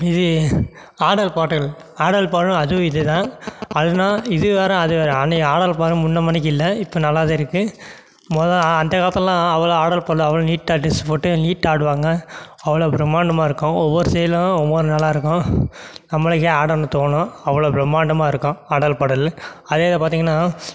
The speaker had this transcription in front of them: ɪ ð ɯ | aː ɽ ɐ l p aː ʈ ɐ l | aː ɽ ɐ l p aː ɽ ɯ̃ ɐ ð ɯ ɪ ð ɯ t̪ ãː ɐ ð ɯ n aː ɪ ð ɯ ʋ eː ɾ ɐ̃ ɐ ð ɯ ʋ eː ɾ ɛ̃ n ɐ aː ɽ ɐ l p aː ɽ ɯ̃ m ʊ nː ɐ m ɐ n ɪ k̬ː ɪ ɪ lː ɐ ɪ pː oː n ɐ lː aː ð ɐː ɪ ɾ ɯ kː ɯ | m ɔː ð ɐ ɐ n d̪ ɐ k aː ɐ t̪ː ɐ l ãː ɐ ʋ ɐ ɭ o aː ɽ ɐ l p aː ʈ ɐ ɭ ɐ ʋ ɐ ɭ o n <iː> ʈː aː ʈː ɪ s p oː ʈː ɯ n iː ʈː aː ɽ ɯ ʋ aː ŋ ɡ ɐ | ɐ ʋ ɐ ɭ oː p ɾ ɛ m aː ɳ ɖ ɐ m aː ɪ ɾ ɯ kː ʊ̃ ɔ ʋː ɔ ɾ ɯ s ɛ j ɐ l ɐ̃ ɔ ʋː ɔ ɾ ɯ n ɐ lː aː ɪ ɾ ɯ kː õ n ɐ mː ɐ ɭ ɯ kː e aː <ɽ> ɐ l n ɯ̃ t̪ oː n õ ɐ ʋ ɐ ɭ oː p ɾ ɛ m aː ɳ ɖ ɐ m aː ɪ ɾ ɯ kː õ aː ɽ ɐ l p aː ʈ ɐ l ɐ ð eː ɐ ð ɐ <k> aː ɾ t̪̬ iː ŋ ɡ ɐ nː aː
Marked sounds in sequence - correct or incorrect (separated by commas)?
correct, correct, incorrect